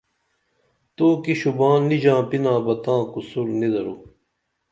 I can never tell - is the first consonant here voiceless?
yes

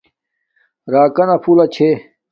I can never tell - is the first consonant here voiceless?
no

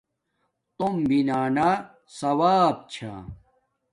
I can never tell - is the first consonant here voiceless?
yes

